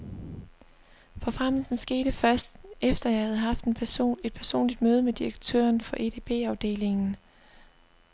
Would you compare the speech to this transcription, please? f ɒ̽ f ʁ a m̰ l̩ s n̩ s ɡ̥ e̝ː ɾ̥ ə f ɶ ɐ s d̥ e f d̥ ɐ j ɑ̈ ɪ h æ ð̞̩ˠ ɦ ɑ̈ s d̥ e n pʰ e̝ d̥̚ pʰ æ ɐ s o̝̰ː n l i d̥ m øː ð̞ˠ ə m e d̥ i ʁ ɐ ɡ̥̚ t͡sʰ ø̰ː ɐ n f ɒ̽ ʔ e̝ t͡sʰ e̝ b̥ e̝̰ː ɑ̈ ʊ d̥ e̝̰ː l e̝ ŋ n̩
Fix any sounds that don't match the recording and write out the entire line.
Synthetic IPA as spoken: f ɒ̽ f ʁ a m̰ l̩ s n̩ s ɡ̥ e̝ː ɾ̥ ə f ɶ ɐ s d̥ e f d̥ ɐ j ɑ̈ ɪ h æ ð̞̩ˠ ɦ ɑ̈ f d̥ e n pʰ e̝ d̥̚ pʰ æ ɐ s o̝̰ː n l i d̥ m øː ð̞ˠ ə m e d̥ i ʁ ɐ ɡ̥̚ t͡sʰ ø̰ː ɐ n f ɒ̽ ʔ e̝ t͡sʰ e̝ b̥ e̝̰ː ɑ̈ ʊ d̥ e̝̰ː l e̝ ŋ n̩

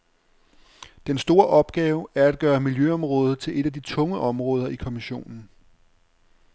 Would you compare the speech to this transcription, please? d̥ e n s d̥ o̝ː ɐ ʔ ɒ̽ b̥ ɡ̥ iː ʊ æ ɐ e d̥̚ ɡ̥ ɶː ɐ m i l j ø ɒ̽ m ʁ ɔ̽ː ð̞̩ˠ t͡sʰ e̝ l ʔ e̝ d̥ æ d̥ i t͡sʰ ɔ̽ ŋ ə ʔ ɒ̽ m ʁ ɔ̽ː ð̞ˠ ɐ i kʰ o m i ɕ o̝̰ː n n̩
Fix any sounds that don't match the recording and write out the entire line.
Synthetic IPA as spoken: d̥ e n s d̥ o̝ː ɐ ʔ ɒ̽ b̥ ɡ̥ ɛː ʊ æ ɐ æ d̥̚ ɡ̥ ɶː ɐ m i l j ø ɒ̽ m ʁ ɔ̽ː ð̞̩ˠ t͡sʰ e̝ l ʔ e̝ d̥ æ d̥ i t͡sʰ ɔ̽ ŋ ə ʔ ɒ̽ m ʁ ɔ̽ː ð̞ˠ ɐ i kʰ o m i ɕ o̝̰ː n n̩

